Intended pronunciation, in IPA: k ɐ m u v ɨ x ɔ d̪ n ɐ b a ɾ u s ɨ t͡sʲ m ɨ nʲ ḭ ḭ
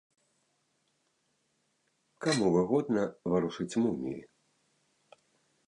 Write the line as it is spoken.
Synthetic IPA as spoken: k a m u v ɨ ɣ ɔ d̪ n ɐ v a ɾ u ʂ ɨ t͡sʲ m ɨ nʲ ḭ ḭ